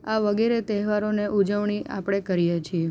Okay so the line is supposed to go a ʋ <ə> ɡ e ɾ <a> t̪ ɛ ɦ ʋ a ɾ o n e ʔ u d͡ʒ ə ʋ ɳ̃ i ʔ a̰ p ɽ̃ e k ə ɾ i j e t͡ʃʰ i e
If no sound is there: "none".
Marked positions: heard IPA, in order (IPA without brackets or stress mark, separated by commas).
ə, e